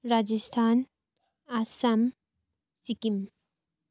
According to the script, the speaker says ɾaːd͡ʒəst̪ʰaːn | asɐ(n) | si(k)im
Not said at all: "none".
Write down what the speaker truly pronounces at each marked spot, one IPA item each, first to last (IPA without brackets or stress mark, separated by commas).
m, k